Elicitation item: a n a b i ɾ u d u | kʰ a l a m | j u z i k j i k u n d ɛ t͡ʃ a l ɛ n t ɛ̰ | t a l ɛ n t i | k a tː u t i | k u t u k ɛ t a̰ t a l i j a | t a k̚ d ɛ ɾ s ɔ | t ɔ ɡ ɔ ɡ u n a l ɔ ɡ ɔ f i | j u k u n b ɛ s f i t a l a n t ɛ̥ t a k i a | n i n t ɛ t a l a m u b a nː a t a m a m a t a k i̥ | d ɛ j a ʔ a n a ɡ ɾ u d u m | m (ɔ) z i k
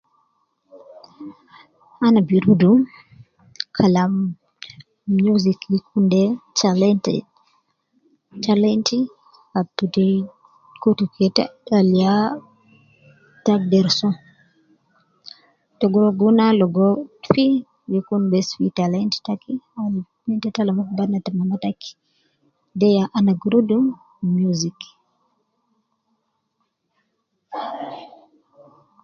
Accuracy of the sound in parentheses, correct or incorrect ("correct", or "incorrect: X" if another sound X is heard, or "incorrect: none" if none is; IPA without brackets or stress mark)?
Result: incorrect: u